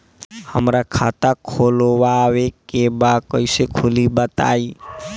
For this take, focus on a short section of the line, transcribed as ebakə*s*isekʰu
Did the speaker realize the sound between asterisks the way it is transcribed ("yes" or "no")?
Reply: no